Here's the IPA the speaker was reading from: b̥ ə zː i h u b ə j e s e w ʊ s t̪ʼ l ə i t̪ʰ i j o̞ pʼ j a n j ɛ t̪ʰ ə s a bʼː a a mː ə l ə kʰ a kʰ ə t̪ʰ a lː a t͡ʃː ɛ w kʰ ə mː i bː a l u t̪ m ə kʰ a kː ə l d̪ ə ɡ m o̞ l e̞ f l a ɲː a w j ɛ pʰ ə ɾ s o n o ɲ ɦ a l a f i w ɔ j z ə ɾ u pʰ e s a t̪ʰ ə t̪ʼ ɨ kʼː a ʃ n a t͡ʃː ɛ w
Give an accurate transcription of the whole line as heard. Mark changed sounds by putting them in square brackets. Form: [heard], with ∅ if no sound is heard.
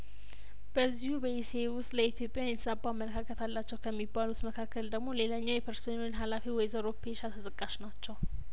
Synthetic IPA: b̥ ə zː i h u b ə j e s e w ʊ s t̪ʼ l ə i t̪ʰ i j o̞ pʼ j a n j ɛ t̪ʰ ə s a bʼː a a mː ə l ə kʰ a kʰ ə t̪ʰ a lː a t͡ʃː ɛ w kʰ ə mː i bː a l u t̪ m ə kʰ a kː ə l d̪ ə ɡ m o̞ l e̞ [∅] l a ɲː a w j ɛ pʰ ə ɾ s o n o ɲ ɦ a l a f i w ɔ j z ə ɾ [o] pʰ e [ʃ] a t̪ʰ ə t̪ʼ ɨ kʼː a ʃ n a t͡ʃː ɛ w